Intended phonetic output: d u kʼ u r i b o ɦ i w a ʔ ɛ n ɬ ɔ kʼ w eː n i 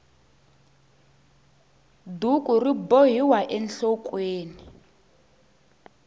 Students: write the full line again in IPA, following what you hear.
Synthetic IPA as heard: d u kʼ u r i b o ɦ i w a ʔ ɛ n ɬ ɔ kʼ w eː n i